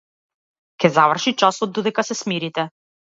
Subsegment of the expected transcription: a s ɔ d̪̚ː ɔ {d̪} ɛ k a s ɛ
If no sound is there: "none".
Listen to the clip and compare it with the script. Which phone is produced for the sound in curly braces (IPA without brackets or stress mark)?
d̪